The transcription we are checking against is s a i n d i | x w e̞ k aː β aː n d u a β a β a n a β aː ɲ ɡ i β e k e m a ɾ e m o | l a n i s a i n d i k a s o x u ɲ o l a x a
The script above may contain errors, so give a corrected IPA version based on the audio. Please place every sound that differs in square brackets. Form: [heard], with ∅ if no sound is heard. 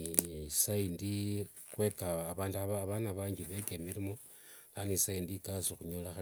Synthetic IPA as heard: s a i n d i | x w e̞ k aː β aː n d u a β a β a n a β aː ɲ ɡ i β e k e m [i] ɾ [i] m o | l a n i s a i n d i k a s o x u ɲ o l a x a